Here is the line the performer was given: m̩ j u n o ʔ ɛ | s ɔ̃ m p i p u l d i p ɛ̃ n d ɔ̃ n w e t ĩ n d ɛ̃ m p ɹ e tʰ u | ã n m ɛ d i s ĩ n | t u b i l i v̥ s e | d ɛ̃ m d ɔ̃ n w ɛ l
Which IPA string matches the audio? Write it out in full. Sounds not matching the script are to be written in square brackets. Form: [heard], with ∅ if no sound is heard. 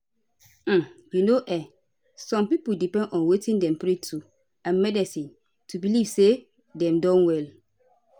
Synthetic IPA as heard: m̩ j u n o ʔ ɛ | s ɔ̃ m p i p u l d i p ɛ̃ n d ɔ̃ n w e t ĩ n d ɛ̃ m p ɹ e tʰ u | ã n m ɛ d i s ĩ n | t u b i l i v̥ s e | d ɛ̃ m d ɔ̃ n w ɛ l